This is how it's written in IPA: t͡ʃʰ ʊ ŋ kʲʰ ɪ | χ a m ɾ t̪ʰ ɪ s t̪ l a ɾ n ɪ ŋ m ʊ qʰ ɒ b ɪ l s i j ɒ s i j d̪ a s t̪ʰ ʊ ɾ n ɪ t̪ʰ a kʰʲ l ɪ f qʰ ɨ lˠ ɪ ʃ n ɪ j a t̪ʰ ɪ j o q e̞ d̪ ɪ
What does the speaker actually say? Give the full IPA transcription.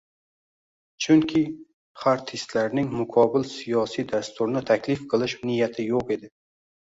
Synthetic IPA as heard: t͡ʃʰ ʊ ŋ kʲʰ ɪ | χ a ɾ t̪ʰ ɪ s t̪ l a ɾ n ɪ ŋ m ʊ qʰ ɒ b ɪ l s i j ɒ s i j d̪ a s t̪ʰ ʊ ɾ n ɪ t̪ʰ a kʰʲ l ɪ f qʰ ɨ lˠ ɪ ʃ n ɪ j a t̪ʰ ɪ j o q e̞ d̪ ɪ